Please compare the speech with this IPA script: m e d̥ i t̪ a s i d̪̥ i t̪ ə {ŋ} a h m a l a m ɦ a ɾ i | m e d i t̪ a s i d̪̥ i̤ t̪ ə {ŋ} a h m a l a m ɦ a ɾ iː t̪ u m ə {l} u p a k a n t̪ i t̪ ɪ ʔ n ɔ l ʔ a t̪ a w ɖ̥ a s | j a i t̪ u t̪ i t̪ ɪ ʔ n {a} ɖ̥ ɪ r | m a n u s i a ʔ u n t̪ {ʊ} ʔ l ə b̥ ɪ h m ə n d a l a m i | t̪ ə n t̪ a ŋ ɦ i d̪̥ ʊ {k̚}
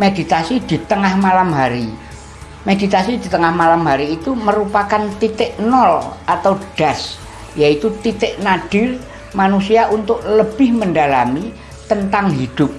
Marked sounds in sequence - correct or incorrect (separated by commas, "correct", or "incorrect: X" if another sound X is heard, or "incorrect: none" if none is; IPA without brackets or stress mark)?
correct, correct, incorrect: ɾ, correct, correct, incorrect: p̚